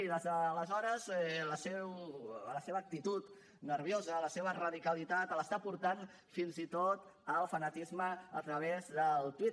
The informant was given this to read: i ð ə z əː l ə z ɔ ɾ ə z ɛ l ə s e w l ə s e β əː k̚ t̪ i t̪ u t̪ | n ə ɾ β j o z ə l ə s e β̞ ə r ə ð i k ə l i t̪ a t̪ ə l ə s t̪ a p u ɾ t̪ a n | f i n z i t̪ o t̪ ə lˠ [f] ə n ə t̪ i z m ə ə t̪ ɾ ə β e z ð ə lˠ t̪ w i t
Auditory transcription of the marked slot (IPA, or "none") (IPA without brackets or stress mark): f